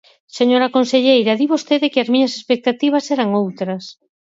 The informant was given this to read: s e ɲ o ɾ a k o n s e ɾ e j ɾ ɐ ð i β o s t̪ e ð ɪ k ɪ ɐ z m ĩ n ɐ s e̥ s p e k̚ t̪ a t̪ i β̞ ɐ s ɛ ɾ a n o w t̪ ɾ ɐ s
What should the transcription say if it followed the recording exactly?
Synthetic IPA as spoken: s e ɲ o ɾ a k o n s e ʎ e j ɾ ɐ ð i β o s t̪ e ð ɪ k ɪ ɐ z m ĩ ɲ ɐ s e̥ s p e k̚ t̪ a t̪ i β̞ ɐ s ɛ ɾ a ŋ o w t̪ ɾ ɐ s